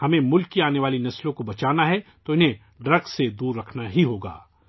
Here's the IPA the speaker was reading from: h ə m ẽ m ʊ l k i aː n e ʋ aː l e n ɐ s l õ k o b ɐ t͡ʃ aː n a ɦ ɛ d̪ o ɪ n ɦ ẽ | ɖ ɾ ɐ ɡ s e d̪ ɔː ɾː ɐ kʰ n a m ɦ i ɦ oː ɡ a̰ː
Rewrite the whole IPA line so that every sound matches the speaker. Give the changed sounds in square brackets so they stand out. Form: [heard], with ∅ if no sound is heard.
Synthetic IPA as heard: h [ɐ] m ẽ m ʊ l k i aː n e ʋ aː l [i] n ɐ s l õ k o b ɐ t͡ʃ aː n a ɦ ɛ [t̪] o ɪ n ɦ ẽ | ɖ ɾ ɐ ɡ s e d̪ [uː] ɾː ɐ kʰ n a [∅] ɦ i ɦ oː ɡ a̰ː

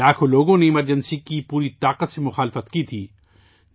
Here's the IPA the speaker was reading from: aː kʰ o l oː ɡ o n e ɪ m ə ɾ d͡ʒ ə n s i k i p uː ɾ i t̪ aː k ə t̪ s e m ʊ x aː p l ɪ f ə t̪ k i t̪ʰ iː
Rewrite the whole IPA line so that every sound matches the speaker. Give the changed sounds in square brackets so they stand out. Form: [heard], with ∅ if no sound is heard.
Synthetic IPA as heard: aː kʰ o l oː ɡ [õ] n e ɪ m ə ɾ d͡ʒ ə n s i k i p uː ɾ i t̪ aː [q] ə t̪ s e m ʊ x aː [∅] l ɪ f ə t̪ k i t̪ʰ iː

